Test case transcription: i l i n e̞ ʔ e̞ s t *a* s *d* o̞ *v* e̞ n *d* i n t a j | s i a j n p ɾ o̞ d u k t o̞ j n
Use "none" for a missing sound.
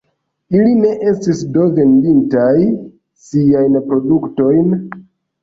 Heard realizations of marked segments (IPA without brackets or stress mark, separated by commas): i, d, v, d